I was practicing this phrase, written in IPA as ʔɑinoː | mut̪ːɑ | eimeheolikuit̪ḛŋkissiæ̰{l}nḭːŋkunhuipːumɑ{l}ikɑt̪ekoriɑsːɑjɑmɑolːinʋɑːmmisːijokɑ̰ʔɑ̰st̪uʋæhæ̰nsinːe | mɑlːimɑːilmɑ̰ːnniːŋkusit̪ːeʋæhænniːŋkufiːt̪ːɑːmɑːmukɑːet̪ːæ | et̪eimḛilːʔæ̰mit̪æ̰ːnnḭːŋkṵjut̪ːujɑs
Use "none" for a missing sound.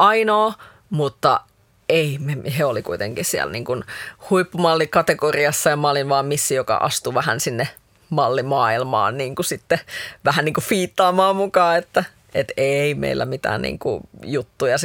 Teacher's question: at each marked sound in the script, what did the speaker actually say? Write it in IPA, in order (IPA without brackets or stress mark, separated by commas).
l, lː